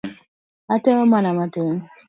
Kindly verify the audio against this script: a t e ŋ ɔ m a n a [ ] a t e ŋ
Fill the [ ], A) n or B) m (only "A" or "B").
B